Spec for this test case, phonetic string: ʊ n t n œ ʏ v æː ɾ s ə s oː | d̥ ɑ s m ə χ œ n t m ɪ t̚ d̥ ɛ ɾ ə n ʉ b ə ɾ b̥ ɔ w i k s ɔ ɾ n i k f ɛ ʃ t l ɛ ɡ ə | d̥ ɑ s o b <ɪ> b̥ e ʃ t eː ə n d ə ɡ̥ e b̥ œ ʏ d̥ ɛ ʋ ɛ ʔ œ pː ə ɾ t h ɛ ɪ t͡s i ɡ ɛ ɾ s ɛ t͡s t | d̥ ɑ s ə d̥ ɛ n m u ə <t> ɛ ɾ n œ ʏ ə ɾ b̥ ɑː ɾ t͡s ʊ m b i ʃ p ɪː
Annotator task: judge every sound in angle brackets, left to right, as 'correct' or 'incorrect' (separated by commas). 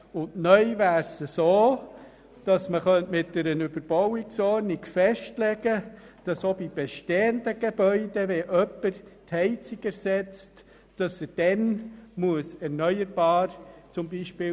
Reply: incorrect, incorrect